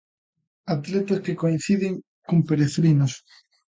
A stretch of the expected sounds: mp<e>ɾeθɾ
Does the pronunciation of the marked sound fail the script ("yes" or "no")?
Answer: no